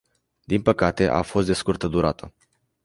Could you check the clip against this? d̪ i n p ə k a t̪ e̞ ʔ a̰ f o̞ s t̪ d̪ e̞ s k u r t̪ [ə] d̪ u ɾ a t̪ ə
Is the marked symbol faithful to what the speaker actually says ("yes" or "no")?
yes